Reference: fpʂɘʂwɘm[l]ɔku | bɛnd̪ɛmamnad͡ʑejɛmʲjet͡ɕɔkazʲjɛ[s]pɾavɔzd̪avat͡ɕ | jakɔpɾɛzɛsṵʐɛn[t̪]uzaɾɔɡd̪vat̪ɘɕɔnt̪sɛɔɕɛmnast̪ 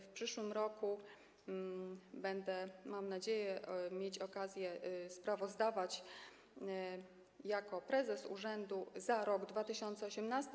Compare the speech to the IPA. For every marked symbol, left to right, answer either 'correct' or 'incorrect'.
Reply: incorrect: ɾ, correct, incorrect: d̪

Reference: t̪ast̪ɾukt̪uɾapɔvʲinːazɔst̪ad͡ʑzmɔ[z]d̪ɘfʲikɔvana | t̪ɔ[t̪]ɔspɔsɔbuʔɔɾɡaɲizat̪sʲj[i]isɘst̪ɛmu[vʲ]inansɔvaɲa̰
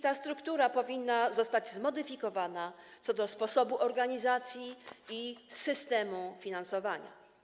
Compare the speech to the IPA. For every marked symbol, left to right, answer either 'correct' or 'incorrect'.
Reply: incorrect: none, incorrect: d̪, correct, incorrect: fʲ

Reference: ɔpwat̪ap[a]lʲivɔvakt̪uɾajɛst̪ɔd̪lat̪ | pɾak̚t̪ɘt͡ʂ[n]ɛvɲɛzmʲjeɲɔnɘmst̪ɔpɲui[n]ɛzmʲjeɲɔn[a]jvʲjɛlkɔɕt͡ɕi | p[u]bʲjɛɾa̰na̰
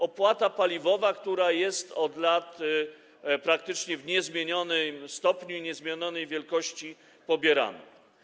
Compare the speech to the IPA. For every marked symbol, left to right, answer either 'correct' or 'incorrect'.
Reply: correct, incorrect: ɲ, incorrect: ɲ, incorrect: ɛ, incorrect: ɔ

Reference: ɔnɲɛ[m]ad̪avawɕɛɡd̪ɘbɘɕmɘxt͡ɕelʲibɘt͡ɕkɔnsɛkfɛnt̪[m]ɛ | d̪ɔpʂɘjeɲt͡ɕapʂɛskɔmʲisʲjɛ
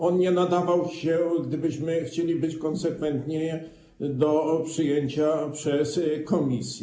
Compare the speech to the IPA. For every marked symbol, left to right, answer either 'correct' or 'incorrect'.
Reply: incorrect: n, incorrect: ɲ

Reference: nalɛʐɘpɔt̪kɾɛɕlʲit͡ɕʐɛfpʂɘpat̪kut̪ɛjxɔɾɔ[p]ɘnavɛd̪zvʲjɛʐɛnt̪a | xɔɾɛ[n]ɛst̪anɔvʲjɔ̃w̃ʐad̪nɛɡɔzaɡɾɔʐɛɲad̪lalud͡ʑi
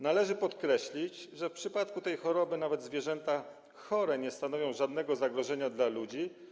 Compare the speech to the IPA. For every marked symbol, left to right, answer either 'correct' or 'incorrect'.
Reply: incorrect: b, incorrect: ɲ

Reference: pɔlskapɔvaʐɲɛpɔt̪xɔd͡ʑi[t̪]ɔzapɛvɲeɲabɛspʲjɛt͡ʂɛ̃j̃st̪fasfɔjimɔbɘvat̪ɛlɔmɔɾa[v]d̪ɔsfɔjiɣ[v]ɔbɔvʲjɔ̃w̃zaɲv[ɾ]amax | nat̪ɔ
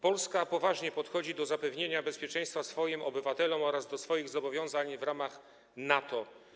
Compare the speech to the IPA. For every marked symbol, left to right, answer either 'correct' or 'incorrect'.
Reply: incorrect: d̪, incorrect: z, incorrect: z, correct

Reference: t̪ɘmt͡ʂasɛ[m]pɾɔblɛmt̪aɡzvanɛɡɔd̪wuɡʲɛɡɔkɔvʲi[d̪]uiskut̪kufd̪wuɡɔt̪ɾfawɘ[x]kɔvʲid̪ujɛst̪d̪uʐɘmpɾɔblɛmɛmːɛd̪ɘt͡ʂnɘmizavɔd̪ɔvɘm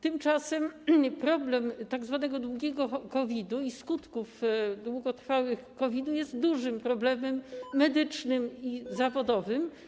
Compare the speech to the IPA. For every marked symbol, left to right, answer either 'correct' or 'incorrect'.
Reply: correct, correct, correct

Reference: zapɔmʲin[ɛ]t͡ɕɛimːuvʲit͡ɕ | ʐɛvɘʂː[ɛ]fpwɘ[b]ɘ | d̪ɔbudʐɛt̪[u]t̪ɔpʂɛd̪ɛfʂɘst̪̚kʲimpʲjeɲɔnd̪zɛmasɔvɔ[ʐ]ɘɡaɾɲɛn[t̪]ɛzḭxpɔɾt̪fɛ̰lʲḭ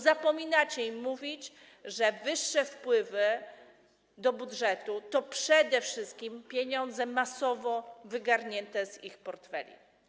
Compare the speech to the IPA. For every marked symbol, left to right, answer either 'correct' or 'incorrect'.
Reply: incorrect: a, correct, incorrect: v, correct, incorrect: v, correct

